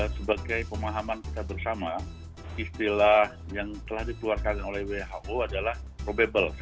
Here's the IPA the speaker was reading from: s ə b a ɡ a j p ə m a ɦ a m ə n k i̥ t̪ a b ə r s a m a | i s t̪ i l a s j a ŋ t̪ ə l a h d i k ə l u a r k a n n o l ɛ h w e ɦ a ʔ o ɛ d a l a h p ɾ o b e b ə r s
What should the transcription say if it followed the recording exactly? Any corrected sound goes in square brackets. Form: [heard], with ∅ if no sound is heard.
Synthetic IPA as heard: s ə b a ɡ a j p ə m a ɦ a m [a] n k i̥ t̪ a b ə r s a m a | i s t̪ i l a [h] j a ŋ t̪ ə l a h d i k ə l u a r k a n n o l ɛ h w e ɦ a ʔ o [a] d a l a h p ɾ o b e b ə [l] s